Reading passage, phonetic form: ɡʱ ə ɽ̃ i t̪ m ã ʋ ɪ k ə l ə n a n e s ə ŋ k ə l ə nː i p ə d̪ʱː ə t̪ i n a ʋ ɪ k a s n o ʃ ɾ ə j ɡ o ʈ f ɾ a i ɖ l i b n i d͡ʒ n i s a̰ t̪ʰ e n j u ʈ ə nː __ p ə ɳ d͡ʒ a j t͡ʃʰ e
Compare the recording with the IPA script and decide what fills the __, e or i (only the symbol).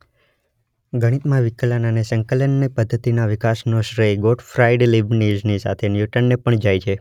e